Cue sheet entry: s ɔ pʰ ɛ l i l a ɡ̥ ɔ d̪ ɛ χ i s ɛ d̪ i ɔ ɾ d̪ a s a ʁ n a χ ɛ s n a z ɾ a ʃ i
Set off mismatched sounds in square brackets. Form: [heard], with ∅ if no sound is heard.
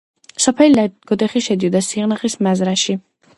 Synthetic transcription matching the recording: s ɔ pʰ ɛ l i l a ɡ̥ ɔ d̪ ɛ χ i [ʃ] ɛ d̪ i ɔ [∅] d̪ a s [i] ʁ n a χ [i] s [m] a z ɾ a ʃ i